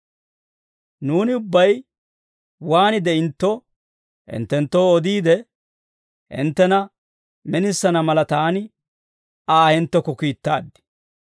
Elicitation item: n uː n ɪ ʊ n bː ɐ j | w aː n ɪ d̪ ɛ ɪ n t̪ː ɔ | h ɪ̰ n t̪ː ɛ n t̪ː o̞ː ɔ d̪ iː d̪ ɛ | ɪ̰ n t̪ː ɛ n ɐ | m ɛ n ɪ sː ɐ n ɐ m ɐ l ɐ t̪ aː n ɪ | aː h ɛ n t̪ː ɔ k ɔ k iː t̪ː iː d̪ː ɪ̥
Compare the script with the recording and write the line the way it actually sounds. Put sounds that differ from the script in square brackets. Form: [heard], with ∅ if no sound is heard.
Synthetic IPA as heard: n uː n ɪ ʊ [∅] bː ɐ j | w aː n ɪ d̪ ɛ ɪ n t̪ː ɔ | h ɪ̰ n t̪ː ɛ n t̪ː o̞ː ɔ d̪ iː d̪ ɛ | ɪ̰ n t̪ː ɛ n ɐ | m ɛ n ɪ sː ɐ n ɐ m ɐ l ɐ t̪ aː n ɪ | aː h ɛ n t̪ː ɔ k ɔ k iː t̪ː [aː] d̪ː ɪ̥